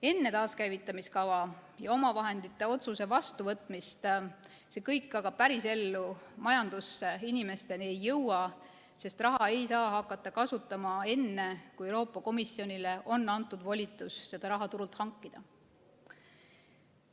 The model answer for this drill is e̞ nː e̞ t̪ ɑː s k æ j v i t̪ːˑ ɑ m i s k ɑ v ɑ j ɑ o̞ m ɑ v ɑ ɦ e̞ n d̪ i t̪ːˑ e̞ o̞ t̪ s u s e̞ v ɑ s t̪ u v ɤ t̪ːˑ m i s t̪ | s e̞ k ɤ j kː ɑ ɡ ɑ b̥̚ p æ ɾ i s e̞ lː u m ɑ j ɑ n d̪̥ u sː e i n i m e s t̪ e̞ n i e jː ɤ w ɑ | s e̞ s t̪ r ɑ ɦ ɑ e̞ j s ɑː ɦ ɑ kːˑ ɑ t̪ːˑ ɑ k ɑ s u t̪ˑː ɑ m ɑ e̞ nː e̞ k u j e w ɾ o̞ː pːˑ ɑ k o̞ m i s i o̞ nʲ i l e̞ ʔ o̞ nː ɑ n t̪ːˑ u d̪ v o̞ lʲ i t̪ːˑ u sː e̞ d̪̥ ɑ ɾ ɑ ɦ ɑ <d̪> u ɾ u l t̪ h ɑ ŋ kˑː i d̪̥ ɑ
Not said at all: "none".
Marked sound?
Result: t̪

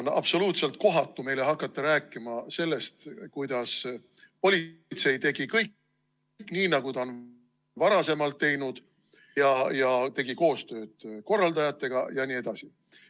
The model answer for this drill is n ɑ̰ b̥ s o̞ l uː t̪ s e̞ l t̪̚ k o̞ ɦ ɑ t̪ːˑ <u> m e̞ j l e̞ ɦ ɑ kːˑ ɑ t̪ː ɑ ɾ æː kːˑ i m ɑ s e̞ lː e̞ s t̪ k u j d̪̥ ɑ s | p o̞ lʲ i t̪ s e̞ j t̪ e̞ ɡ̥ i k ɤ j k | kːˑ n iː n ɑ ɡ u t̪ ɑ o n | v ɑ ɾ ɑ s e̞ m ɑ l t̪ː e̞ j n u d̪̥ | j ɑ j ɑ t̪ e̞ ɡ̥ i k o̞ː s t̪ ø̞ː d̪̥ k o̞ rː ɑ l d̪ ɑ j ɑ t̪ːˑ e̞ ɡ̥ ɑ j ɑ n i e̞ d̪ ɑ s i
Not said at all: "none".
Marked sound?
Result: u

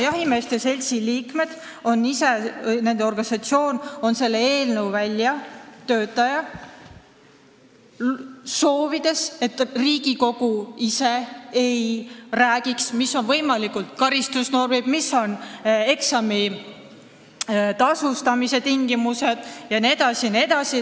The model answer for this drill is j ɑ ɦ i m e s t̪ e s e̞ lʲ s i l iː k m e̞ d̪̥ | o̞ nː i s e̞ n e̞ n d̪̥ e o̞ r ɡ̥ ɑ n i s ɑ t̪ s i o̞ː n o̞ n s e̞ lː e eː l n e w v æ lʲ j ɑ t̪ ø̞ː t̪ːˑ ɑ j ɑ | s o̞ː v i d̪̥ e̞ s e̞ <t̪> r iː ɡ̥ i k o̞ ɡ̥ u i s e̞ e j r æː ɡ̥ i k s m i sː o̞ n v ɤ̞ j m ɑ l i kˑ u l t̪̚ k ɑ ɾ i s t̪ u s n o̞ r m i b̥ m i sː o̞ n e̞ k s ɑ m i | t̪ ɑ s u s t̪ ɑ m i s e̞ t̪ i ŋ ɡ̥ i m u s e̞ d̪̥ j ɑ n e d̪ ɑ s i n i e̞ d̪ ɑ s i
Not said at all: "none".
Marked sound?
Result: t̪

